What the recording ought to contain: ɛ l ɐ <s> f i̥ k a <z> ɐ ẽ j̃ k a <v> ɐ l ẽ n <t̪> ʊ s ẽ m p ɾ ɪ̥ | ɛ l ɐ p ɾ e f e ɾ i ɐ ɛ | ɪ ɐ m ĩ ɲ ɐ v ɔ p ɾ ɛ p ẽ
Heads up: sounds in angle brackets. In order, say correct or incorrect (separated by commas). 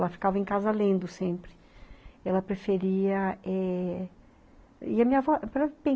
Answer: incorrect, incorrect, incorrect, incorrect